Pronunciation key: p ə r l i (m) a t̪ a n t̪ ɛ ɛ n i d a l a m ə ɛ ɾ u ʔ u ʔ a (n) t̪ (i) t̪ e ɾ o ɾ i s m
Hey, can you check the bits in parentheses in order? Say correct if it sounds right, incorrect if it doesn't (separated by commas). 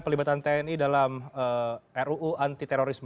incorrect, correct, correct